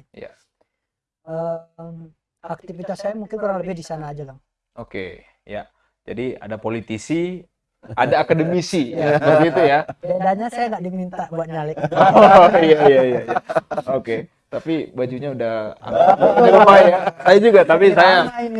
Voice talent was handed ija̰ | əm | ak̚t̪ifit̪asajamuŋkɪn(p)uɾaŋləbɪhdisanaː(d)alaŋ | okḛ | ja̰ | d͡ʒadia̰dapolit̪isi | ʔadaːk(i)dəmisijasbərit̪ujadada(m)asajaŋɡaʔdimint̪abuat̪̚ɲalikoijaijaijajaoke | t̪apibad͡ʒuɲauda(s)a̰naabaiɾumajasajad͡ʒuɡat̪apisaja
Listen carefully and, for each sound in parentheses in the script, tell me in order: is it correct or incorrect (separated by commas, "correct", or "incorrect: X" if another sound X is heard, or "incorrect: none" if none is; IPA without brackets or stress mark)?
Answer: incorrect: k, incorrect: d͡ʒ, incorrect: a, incorrect: ɲ, incorrect: h